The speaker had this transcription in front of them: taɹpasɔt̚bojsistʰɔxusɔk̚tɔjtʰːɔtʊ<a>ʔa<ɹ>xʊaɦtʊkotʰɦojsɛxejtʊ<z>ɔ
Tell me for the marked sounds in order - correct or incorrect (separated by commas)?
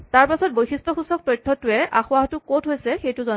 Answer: incorrect, incorrect, correct